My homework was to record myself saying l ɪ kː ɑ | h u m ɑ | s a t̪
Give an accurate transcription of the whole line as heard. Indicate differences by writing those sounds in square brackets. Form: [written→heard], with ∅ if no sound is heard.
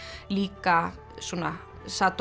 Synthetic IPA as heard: l [ɪ→i] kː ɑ | [h→s] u [m→n] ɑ | s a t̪